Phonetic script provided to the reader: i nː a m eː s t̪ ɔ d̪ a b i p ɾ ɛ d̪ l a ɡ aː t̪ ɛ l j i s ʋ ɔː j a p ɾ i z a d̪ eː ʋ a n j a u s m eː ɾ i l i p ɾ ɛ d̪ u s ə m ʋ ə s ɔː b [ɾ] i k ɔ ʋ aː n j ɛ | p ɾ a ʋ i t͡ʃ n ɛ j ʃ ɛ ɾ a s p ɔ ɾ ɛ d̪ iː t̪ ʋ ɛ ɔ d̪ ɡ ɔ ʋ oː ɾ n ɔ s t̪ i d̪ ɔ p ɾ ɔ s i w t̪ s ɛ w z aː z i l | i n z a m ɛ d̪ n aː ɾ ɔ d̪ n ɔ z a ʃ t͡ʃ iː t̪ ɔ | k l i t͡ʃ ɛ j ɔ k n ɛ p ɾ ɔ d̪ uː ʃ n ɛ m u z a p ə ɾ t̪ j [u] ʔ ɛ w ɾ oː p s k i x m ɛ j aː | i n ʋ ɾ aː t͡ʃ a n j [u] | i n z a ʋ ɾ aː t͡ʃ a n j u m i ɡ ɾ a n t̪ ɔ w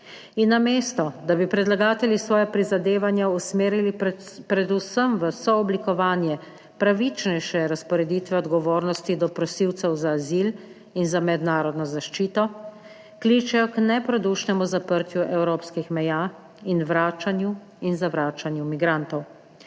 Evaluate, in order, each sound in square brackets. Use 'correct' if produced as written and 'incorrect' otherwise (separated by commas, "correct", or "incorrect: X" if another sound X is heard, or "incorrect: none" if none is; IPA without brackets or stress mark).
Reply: incorrect: l, correct, correct